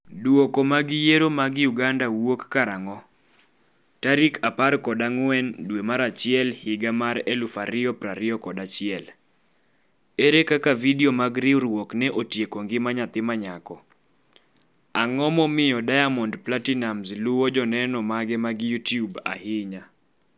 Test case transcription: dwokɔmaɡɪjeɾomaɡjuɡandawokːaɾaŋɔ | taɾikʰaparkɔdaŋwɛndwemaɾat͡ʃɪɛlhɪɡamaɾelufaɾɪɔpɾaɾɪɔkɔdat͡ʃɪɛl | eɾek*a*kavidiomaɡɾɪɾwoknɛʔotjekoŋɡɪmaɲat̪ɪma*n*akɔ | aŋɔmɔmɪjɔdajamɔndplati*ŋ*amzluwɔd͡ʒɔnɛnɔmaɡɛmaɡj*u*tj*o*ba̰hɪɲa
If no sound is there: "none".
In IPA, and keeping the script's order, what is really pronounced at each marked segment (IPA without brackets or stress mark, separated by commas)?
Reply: a, ɲ, n, u, u